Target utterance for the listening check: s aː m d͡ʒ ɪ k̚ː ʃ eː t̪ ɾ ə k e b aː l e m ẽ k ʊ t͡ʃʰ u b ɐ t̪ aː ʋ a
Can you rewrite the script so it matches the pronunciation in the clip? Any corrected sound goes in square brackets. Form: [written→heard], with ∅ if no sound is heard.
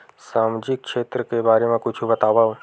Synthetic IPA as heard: s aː m d͡ʒ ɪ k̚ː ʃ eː t̪ ɾ ə k e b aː [l→ɾ] e m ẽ k ʊ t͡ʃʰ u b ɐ t̪ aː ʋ a